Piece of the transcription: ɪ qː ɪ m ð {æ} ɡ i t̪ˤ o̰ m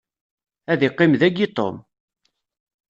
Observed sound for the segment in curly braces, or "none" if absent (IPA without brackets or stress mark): æ